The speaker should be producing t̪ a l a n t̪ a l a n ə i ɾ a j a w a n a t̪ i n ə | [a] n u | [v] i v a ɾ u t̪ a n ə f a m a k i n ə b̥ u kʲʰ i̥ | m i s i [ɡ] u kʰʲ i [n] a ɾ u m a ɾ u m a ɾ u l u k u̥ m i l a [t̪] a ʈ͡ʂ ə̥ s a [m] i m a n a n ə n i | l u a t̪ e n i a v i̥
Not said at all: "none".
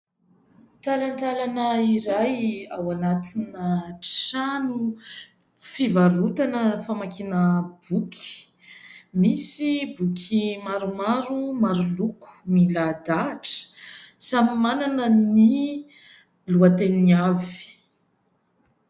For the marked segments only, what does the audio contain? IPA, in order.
a, f, b, m, d̪, m

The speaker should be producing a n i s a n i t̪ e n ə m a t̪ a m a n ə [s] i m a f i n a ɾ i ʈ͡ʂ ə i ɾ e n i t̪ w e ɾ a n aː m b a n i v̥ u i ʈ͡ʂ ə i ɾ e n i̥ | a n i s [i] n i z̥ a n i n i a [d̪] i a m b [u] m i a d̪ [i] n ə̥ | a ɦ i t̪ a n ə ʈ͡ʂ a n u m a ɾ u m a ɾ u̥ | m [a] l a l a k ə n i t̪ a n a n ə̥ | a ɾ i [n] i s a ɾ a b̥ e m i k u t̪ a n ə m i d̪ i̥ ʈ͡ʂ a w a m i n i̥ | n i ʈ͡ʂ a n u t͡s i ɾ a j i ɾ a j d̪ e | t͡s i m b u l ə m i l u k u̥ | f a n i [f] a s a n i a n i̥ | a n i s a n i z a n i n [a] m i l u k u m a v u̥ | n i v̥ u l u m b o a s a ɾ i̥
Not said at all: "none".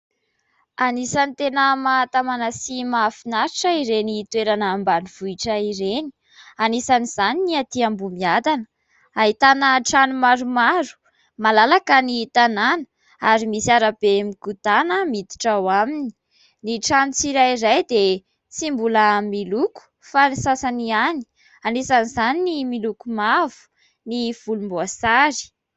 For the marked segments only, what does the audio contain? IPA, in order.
s, a, t̪, u, a, a, m, s, i

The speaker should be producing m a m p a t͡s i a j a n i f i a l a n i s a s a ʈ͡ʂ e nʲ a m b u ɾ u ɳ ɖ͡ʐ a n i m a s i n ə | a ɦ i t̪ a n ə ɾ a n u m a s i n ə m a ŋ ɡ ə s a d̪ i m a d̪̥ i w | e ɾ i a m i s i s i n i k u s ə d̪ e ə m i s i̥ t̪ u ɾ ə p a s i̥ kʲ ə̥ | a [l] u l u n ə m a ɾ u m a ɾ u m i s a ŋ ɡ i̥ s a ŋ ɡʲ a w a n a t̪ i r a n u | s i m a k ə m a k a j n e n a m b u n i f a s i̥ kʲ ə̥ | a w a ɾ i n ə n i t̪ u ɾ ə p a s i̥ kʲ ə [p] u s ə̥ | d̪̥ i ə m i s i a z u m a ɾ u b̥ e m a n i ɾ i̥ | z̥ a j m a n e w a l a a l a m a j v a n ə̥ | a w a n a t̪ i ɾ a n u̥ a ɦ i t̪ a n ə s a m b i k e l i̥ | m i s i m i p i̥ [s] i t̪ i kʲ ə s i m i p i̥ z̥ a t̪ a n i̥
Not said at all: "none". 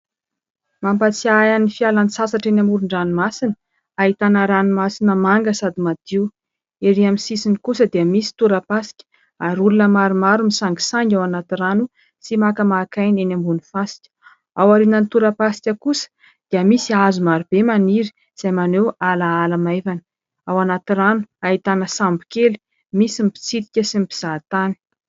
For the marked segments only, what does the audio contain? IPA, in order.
ɾ, k, t͡s

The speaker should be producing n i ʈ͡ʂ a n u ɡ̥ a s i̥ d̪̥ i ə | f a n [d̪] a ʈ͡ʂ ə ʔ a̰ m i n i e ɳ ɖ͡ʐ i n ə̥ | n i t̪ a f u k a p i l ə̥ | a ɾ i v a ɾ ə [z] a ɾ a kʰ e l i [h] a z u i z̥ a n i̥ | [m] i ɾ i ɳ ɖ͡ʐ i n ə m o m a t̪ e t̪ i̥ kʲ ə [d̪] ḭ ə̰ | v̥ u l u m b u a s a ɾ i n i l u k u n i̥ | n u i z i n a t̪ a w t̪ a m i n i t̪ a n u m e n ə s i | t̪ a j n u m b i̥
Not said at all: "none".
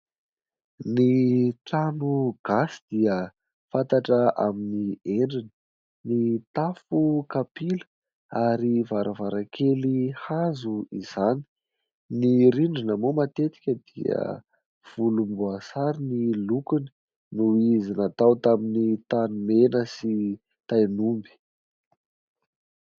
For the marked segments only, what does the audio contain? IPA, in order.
t̪, v, h, n, d̪

